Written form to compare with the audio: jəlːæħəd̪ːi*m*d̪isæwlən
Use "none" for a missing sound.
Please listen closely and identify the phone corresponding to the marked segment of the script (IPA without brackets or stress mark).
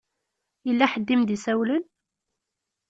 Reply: m